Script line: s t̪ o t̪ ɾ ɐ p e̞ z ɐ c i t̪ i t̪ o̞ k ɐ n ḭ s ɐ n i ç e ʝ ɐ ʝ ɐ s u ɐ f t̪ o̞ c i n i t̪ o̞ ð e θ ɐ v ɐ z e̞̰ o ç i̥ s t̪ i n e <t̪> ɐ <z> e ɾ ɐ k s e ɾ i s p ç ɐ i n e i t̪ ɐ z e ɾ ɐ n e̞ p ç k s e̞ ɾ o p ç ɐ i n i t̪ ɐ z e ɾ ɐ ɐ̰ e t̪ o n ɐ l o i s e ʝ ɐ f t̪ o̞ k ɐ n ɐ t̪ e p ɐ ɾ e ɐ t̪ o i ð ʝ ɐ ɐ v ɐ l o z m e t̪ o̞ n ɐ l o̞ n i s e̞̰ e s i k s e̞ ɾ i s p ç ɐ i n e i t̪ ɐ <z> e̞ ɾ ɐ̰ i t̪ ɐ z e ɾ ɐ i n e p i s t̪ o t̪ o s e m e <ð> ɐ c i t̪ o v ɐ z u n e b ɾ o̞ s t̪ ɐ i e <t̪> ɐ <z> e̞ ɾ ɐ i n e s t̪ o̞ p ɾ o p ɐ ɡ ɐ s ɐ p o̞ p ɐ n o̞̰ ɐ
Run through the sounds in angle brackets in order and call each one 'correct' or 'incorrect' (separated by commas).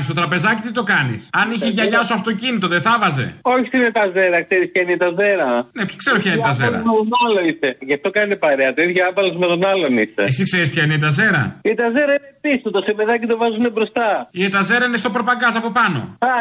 correct, correct, correct, correct, correct, correct